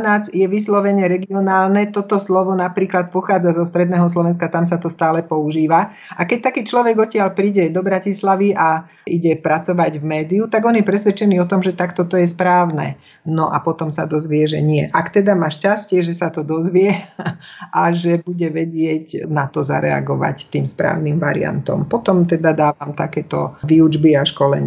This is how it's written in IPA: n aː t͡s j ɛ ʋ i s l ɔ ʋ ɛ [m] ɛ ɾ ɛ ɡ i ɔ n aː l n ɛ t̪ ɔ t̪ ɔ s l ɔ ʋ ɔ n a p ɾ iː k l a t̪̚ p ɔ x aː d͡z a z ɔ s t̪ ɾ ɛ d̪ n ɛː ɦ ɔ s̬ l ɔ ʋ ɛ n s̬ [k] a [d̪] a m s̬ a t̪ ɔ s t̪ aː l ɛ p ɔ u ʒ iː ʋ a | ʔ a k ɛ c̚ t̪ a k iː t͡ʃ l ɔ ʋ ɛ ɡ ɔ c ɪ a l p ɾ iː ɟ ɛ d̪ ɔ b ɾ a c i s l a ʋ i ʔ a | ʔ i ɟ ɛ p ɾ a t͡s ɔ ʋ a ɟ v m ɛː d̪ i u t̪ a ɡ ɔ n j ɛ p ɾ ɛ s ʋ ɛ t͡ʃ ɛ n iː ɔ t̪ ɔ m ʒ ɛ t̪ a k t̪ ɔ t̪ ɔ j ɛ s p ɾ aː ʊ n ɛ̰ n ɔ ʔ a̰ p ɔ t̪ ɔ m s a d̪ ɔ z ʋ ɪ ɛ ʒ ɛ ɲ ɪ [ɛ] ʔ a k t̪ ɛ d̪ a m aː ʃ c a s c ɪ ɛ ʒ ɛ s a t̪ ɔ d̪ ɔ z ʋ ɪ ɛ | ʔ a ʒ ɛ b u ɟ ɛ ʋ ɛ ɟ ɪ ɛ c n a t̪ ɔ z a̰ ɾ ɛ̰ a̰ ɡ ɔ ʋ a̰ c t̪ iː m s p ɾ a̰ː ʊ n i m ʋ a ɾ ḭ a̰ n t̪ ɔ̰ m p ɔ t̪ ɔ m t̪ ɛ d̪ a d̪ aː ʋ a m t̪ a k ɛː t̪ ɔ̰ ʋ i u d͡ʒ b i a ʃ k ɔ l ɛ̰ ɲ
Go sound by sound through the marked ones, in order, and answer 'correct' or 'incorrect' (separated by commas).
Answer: incorrect, correct, incorrect, correct